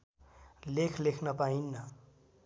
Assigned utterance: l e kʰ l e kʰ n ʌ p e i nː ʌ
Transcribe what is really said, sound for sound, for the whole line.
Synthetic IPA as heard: l e kʰ l e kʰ n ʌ p a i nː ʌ

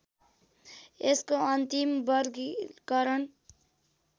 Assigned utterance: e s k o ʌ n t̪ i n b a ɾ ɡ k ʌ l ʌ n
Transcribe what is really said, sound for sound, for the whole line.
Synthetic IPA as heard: e s k o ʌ n t̪ i m b ʌ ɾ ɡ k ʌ ɾ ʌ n

